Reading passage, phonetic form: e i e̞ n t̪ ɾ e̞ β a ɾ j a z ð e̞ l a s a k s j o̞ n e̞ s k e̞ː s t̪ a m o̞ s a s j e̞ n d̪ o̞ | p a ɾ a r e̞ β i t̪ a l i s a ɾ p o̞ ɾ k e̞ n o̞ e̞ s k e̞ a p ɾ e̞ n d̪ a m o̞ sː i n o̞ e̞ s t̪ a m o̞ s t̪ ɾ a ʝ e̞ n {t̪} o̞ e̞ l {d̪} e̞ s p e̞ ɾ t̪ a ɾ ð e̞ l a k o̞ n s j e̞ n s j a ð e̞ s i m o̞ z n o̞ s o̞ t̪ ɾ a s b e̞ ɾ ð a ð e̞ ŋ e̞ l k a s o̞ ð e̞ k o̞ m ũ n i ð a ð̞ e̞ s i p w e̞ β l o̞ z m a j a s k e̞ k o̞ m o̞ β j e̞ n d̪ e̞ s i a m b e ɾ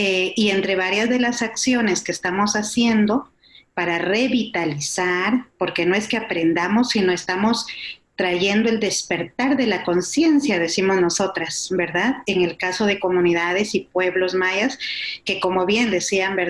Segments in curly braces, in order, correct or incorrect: incorrect: d̪, correct

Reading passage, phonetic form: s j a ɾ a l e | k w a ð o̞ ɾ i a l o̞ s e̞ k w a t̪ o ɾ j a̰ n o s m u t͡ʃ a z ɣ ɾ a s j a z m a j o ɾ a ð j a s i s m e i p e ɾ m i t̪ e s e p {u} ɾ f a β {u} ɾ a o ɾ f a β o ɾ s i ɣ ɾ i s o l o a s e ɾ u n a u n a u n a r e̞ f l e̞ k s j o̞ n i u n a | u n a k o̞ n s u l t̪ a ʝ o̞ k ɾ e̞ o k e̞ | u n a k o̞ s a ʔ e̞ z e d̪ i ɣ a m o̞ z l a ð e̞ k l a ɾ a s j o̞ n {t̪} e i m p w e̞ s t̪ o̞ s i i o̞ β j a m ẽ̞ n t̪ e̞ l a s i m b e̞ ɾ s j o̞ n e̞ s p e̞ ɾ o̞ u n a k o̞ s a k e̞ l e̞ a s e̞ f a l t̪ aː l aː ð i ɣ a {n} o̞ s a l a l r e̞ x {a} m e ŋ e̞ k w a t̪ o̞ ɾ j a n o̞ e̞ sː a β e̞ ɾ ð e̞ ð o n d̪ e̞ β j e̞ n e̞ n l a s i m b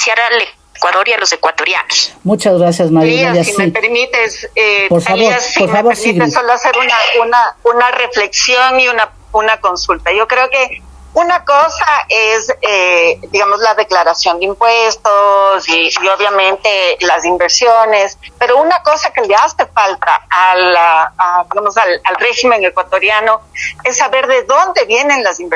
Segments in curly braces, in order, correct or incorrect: incorrect: o, incorrect: o, incorrect: d̪, incorrect: m, incorrect: i

